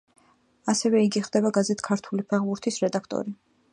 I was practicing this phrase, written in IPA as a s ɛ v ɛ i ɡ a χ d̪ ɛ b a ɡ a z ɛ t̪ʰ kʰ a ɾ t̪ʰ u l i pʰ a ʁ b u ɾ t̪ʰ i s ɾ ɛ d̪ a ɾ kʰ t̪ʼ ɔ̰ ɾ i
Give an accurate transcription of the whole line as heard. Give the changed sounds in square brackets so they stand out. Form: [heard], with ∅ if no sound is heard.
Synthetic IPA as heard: a s ɛ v ɛ i ɡ [i] χ d̪ ɛ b a ɡ a z ɛ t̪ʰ kʰ a ɾ t̪ʰ u l i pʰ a ʁ b u ɾ t̪ʰ i s ɾ ɛ d̪ a [∅] kʰ t̪ʼ ɔ̰ ɾ i